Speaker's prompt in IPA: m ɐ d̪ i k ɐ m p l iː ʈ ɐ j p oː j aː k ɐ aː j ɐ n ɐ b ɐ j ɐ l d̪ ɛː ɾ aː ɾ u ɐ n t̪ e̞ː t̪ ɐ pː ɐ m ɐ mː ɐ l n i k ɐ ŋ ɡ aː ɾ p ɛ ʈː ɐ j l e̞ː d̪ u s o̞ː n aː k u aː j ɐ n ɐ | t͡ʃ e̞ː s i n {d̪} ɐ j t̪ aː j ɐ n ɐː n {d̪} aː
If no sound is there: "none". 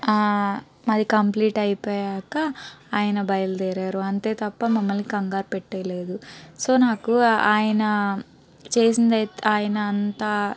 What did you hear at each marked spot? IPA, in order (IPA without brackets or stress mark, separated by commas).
d̪, t̪